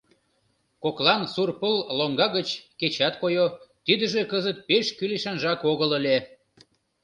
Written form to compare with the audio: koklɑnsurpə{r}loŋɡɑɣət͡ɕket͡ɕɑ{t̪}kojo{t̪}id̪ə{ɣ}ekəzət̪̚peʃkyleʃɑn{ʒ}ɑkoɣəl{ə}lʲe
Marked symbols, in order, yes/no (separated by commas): no, yes, yes, no, yes, yes